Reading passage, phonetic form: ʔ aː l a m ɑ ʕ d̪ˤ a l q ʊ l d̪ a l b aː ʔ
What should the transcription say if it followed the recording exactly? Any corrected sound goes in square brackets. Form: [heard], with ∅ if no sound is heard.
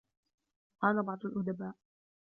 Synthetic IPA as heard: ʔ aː l a [b] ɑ ʕ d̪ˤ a l [ʔ] ʊ [∅] d̪ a [∅] b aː ʔ